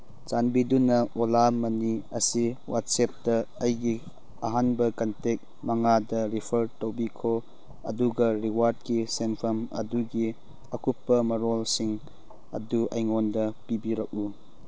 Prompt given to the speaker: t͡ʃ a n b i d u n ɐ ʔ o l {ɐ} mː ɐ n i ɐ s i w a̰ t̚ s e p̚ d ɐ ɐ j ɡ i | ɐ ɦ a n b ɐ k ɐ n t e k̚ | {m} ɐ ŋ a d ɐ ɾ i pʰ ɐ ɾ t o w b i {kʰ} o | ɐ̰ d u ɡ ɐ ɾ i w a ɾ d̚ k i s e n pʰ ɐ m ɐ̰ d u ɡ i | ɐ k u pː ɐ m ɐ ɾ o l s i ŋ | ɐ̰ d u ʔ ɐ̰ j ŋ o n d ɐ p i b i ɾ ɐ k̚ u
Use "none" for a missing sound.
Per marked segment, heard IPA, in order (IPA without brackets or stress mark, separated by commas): a, m, kʰ